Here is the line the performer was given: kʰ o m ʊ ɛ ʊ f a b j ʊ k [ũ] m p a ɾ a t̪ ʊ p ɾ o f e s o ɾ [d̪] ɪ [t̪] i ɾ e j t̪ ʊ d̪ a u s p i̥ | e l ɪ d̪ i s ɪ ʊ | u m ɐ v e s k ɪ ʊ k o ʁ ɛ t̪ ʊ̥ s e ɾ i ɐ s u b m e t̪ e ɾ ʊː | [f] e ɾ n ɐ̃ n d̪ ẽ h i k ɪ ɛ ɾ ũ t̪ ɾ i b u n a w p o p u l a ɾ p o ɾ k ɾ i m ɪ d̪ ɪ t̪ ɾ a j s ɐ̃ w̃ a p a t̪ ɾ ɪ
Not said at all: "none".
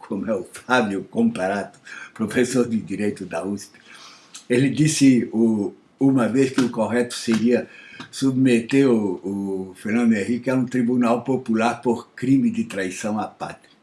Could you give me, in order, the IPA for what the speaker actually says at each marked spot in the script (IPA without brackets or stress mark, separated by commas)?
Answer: õ, d̪, d̪, f